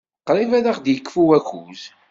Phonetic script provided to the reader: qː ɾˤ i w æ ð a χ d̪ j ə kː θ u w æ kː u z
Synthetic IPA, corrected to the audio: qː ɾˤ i v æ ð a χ d̪ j ə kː f u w æ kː u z